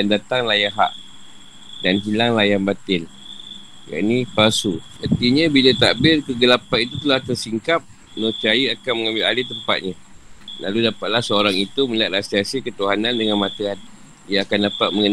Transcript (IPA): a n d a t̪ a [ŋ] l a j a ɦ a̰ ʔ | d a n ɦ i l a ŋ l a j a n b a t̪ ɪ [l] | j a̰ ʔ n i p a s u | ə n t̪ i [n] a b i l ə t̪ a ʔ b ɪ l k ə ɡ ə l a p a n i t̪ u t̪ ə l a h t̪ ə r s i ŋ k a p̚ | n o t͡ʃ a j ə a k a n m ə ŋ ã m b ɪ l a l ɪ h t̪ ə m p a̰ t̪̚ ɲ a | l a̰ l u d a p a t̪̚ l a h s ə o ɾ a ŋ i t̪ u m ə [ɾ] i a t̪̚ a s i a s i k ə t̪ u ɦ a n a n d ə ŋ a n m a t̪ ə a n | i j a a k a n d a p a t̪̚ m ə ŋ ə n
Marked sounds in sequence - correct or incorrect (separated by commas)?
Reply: correct, correct, incorrect, incorrect